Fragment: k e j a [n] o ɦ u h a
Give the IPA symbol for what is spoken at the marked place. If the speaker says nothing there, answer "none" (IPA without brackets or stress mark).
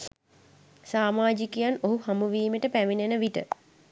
n